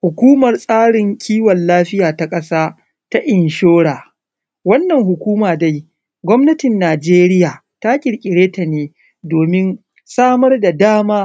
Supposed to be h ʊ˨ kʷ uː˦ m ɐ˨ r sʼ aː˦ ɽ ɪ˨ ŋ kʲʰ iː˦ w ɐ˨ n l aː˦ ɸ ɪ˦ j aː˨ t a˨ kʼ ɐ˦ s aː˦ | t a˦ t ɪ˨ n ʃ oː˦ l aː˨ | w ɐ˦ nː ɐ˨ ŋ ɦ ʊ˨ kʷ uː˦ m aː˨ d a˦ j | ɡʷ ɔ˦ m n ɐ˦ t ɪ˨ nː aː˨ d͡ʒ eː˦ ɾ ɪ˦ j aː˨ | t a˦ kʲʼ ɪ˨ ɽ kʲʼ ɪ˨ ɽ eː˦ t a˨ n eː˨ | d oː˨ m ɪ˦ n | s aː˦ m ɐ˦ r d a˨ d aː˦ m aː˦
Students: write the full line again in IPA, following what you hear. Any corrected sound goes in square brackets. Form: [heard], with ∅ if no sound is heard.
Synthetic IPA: h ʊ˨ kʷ uː˦ m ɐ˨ r sʼ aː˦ ɽ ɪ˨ ŋ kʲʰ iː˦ w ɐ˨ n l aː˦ ɸ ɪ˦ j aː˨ t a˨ kʼ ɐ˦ s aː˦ | t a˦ [ʔ] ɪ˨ n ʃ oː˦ [ɽ] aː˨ | w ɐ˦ nː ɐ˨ ŋ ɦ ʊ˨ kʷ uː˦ m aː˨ d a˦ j | ɡʷ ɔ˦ m n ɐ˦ t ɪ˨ nː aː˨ d͡ʒ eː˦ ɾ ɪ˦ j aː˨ | t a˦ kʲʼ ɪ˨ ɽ kʲʼ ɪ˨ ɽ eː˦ t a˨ n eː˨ | d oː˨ m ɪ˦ n | s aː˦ m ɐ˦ r d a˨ d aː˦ m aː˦